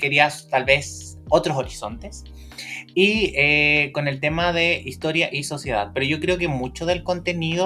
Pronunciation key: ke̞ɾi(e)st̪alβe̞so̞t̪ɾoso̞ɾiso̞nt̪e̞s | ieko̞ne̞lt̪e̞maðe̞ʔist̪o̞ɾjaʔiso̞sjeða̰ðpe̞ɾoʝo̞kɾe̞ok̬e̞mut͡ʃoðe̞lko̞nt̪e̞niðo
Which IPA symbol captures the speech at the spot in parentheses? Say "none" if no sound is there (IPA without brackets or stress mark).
a